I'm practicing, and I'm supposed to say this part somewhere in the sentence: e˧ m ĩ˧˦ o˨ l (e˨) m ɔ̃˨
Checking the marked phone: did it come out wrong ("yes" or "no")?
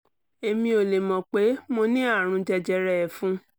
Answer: no